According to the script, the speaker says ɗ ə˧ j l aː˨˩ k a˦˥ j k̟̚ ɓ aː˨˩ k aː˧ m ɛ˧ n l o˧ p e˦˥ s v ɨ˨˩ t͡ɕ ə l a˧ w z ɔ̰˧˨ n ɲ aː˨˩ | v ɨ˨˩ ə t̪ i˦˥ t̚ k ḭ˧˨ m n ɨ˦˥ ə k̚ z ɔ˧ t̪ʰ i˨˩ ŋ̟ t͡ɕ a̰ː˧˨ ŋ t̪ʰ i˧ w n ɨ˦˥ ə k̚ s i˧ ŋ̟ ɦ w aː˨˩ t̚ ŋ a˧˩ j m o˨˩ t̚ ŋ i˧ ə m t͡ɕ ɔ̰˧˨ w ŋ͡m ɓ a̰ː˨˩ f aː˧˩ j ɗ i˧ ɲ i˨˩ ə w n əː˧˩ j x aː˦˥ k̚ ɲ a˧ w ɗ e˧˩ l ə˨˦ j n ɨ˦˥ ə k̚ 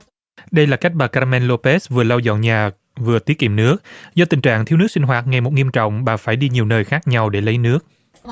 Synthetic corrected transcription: ɗ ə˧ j l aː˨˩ k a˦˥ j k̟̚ ɓ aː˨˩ k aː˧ m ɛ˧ n l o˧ p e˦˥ s v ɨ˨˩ ə l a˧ w z ɔ̰˧˨ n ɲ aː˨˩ | v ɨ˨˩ ə t̪ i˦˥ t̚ k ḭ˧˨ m n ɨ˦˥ ə k̚ z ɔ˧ t̪ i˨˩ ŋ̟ t͡ɕ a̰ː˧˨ ŋ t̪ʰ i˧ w n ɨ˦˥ ə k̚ s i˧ ŋ̟ ɦ w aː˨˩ t̚ ŋ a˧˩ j m o˨˩ t̚ ŋ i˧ ə m t͡ɕ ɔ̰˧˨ w ŋ͡m ɓ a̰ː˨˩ f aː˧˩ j ɗ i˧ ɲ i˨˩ ə w n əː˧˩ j x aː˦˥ k̚ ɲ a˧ w ɗ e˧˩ l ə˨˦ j n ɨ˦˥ ə k̚

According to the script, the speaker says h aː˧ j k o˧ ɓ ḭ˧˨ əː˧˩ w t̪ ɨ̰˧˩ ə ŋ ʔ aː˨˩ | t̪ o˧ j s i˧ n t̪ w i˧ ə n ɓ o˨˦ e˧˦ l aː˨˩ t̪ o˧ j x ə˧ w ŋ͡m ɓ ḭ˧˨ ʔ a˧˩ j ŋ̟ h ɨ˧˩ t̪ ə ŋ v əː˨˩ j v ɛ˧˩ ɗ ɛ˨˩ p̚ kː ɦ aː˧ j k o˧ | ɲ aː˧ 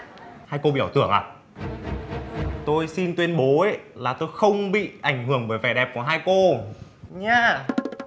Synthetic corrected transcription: h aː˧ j k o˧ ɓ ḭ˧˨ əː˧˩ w t̪ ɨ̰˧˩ ə ŋ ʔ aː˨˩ | t̪ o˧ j s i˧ n t̪ w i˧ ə n ɓ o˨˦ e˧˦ l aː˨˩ t̪ o˧ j x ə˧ w ŋ͡m ɓ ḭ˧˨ ʔ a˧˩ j ŋ̟ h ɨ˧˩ ə ŋ v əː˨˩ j v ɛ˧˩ ɗ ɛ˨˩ p̚ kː ɦ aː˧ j k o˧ | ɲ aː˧

